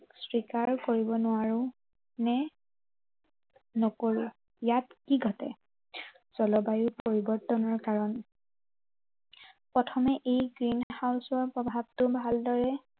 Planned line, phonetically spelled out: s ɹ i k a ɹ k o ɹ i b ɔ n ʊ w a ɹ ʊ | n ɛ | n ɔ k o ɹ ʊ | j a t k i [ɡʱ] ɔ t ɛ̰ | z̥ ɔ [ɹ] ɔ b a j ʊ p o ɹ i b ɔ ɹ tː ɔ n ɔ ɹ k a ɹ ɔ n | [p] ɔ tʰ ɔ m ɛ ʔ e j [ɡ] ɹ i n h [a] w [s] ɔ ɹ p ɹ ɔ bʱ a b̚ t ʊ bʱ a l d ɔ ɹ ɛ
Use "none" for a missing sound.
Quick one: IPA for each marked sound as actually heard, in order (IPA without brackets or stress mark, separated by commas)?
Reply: ɡʱ, l, p, ɡ, a, s